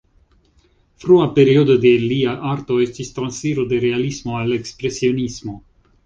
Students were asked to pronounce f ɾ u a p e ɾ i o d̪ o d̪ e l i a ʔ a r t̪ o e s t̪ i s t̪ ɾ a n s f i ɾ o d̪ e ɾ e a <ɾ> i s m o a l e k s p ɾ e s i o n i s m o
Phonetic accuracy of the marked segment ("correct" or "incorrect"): incorrect